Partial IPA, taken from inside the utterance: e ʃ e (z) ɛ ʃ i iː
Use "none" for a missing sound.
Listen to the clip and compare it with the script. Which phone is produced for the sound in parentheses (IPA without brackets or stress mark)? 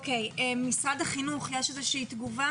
z